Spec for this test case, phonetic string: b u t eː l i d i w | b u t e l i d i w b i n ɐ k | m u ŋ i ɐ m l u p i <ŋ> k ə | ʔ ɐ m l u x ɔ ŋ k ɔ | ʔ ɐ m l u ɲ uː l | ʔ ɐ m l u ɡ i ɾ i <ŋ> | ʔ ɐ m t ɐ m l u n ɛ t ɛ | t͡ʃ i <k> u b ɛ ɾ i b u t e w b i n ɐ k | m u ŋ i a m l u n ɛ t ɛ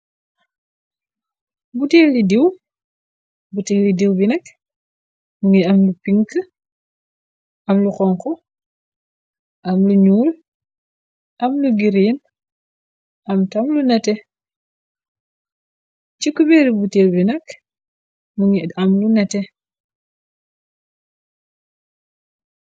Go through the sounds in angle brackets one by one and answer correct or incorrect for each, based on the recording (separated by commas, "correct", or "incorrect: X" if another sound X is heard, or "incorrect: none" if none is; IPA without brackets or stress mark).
correct, incorrect: n, correct